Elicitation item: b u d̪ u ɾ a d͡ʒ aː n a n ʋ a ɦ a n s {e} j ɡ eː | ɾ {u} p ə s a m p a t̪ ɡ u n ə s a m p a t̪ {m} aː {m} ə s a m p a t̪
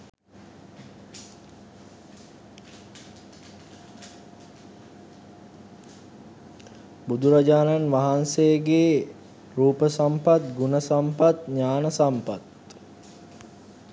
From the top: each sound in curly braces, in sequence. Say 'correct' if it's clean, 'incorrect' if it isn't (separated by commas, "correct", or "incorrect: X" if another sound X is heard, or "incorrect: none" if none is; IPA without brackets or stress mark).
correct, incorrect: uː, incorrect: ɲ, incorrect: n